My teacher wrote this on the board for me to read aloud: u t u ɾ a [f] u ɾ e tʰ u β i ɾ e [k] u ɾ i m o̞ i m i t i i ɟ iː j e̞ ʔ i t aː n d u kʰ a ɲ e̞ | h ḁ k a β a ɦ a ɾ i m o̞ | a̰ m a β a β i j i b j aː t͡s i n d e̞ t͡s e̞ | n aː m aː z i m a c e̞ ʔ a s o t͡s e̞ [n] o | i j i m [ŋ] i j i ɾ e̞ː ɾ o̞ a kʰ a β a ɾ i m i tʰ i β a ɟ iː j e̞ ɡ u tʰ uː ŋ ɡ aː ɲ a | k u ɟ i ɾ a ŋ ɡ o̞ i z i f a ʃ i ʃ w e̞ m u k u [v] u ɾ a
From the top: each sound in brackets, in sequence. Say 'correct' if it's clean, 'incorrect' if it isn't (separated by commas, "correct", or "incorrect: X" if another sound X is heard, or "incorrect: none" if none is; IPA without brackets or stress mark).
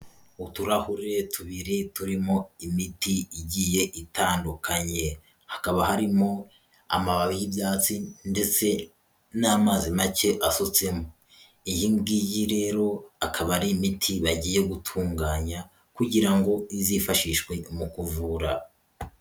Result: incorrect: h, incorrect: t, incorrect: m, incorrect: ɡ, correct